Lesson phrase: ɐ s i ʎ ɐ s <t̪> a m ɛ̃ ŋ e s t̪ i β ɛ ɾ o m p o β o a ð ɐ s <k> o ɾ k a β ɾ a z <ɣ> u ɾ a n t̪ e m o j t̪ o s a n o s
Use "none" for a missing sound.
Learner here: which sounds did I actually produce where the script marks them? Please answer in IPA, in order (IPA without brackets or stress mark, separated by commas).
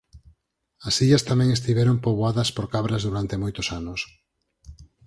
t̪, p, ð